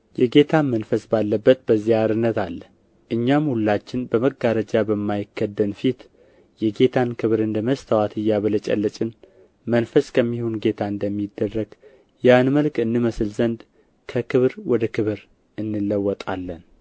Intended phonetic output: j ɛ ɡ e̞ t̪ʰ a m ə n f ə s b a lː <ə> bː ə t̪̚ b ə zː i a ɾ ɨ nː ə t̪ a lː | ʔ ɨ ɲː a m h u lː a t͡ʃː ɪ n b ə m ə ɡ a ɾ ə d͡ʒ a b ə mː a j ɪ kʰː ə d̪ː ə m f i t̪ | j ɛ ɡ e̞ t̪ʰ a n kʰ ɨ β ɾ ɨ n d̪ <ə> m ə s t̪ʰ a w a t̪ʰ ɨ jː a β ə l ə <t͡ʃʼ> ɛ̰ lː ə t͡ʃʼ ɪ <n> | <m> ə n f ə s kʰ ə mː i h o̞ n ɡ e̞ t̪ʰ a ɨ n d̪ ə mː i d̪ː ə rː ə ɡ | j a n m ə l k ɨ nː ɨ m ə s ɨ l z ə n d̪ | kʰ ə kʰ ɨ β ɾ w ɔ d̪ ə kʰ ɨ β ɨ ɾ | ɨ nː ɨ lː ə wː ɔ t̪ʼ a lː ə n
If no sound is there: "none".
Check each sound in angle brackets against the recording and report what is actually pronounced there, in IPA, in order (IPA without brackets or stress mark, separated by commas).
ə, ə, t͡ʃʼ, n, m